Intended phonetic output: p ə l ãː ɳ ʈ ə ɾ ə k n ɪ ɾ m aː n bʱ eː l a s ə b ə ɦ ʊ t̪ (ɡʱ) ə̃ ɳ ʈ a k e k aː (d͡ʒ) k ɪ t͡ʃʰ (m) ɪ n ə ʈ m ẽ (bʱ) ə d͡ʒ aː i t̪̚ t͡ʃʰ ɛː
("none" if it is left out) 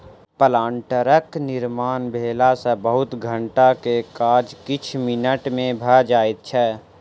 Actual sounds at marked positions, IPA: ɡʱ, d͡ʒ, m, bʱ

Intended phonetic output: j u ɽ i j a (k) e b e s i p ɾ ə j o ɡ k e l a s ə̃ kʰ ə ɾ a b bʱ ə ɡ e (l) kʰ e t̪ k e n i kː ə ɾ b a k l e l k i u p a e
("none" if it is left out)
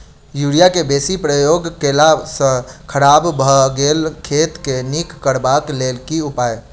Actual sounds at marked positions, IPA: k, l

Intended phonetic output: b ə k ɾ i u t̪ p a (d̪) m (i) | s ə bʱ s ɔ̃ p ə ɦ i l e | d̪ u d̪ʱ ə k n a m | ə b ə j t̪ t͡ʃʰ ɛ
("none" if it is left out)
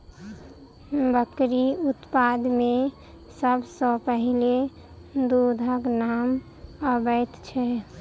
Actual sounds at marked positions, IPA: d̪, e

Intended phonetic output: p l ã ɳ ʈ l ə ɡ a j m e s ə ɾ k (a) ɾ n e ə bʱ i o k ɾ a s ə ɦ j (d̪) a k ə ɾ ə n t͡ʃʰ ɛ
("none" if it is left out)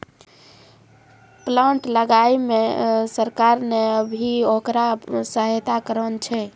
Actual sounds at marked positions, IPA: a, t̪

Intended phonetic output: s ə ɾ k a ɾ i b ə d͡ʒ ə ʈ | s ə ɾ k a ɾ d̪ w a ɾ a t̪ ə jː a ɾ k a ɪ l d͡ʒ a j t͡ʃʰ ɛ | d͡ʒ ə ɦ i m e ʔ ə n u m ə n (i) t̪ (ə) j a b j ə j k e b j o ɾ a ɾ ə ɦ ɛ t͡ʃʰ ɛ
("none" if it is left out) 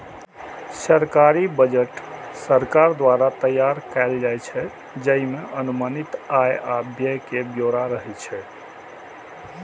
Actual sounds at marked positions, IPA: i, a

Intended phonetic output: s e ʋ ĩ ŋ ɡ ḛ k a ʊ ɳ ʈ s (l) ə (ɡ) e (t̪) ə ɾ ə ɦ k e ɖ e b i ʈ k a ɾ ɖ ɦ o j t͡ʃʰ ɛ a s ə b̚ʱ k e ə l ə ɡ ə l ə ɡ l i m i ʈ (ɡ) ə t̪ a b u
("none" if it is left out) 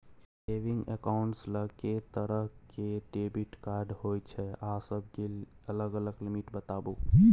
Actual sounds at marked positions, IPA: l, k, t̪, b

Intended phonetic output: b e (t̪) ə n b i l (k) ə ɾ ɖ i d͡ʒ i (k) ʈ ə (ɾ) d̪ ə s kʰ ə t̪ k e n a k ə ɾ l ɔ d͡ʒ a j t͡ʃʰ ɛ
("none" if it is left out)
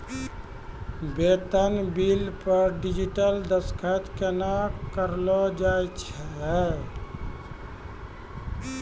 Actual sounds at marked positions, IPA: t̪, p, none, l

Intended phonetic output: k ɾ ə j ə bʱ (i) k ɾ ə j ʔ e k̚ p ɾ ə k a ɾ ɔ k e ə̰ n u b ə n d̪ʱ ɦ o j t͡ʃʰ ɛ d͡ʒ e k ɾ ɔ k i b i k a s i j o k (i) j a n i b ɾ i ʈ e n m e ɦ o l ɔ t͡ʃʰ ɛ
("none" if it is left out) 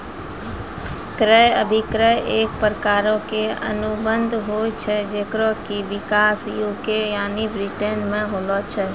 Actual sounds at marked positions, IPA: i, e

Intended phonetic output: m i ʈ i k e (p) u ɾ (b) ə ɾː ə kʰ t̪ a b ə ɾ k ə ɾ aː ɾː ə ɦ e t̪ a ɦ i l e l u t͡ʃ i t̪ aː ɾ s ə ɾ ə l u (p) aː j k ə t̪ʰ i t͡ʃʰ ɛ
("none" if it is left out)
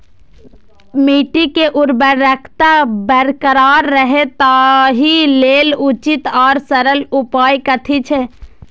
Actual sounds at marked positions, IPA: ʔ, b, p

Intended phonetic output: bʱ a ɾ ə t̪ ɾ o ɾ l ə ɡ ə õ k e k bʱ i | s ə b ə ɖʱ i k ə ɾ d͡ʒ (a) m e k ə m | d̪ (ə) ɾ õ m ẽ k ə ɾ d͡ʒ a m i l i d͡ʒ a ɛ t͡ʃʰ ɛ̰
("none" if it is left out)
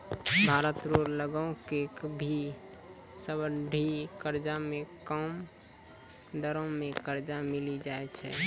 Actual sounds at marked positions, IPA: a, ə

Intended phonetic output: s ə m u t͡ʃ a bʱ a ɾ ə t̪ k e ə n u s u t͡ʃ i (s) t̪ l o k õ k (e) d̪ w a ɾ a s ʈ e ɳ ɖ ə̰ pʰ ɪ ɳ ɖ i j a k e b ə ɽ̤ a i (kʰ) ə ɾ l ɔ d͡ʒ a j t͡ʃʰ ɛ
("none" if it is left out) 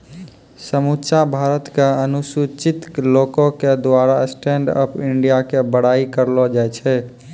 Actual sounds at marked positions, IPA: none, e, k

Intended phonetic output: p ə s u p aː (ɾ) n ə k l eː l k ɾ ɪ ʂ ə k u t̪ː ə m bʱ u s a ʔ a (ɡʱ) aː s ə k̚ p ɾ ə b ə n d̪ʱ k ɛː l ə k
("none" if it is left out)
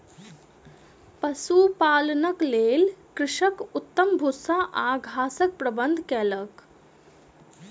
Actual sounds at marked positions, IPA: l, ɡʱ

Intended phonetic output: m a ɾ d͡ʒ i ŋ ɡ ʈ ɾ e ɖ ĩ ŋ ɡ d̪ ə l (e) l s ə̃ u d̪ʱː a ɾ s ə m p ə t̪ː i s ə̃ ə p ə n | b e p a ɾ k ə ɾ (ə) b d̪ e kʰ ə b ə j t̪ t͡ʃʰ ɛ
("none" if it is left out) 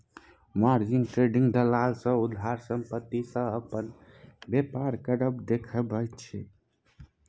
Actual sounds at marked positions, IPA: a, ə

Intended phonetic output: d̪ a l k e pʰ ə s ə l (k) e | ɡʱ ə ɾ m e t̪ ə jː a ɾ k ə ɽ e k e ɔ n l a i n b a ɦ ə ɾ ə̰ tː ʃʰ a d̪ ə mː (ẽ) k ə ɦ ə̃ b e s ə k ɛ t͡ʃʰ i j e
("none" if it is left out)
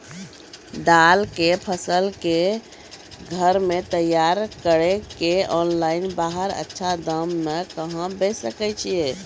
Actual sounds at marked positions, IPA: k, e

